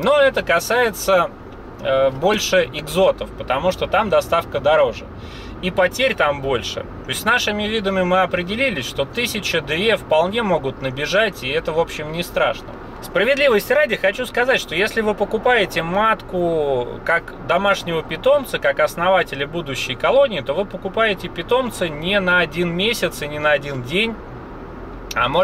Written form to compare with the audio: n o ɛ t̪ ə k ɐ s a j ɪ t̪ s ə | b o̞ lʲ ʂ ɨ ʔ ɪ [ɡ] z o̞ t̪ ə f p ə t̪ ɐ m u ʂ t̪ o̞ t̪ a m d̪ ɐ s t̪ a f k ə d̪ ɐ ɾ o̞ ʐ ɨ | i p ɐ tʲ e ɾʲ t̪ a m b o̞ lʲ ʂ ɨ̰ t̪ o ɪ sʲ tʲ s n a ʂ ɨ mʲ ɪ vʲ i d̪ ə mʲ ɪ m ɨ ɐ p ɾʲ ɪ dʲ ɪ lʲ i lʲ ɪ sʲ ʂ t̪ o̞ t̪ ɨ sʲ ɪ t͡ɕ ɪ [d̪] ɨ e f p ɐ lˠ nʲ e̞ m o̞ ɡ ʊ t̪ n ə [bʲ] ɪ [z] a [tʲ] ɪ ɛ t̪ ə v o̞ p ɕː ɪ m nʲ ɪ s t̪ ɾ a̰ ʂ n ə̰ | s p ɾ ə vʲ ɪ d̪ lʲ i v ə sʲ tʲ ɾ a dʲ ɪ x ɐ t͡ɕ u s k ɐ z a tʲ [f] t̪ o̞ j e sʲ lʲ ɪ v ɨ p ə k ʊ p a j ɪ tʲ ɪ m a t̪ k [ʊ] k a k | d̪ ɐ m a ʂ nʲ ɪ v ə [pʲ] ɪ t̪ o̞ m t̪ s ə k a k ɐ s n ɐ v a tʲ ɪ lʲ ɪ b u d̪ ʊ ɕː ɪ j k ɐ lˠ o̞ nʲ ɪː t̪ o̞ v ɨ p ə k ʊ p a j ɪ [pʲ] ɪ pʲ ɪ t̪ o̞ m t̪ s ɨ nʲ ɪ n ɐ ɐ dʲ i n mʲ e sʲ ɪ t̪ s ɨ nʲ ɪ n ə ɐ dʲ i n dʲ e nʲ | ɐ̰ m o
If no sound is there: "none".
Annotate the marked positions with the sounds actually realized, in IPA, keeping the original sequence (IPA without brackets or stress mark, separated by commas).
ɡ, d̪, bʲ, ʐ, tʲ, ʂ, ʊ, pʲ, tʲ